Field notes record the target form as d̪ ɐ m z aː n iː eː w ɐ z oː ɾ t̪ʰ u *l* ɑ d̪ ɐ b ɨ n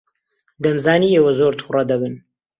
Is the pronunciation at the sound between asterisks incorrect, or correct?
incorrect: r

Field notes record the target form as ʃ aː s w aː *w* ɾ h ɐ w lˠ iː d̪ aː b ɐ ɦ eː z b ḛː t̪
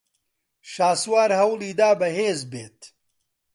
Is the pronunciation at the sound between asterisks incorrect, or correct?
incorrect: none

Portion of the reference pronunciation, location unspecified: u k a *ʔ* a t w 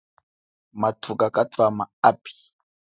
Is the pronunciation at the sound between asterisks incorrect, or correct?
incorrect: k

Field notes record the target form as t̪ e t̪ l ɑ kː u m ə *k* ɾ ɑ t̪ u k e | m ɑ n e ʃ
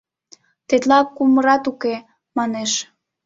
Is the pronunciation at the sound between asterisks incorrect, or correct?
incorrect: none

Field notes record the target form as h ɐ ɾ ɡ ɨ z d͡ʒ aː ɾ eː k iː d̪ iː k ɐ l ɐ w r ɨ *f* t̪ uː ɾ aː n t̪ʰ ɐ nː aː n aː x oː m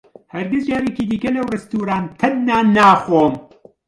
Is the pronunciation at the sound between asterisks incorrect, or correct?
incorrect: s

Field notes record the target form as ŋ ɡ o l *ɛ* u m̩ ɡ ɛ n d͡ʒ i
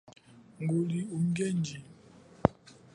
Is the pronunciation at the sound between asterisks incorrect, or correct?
incorrect: i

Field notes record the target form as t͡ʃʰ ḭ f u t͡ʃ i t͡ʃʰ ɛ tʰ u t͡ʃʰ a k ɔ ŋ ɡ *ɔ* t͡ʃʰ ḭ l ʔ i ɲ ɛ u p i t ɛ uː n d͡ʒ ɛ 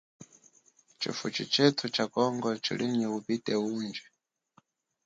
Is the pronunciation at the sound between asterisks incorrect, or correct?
correct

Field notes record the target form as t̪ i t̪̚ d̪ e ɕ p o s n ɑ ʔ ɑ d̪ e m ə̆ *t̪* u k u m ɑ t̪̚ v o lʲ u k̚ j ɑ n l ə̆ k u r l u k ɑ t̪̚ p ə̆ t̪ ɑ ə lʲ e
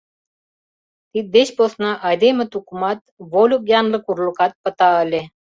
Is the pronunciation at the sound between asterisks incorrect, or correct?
correct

